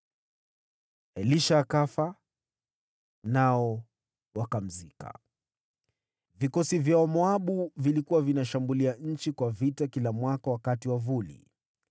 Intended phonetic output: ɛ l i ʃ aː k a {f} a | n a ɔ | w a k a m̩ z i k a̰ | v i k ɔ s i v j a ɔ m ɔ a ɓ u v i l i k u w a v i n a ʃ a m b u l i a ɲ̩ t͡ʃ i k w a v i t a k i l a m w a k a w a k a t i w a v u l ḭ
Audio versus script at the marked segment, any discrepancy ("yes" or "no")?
no